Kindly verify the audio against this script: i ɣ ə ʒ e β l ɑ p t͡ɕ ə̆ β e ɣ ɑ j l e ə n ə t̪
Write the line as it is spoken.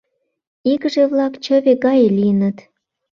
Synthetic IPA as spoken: i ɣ ə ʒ e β l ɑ k t͡ɕ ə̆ β e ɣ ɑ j l i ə n ə t̪